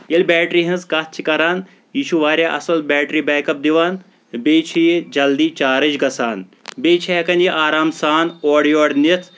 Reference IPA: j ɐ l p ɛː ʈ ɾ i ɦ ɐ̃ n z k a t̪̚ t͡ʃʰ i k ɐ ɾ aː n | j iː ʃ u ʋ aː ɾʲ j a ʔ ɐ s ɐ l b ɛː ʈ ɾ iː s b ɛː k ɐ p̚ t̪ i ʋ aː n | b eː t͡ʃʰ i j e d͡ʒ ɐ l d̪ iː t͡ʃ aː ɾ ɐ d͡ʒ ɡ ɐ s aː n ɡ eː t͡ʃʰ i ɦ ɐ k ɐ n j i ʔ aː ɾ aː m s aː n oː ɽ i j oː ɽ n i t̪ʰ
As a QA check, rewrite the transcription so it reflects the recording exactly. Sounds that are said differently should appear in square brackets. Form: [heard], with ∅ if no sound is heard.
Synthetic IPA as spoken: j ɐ l [b] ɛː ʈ ɾ i ɦ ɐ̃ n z k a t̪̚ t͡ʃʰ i k ɐ ɾ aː n | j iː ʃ u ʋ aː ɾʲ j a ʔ ɐ s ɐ l b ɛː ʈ ɾ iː [∅] b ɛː k ɐ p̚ [d̪] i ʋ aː n | b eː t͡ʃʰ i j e d͡ʒ ɐ l d̪ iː t͡ʃ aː ɾ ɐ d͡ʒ ɡ ɐ s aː n [b] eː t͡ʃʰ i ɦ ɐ k ɐ n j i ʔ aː ɾ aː m s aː n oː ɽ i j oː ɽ n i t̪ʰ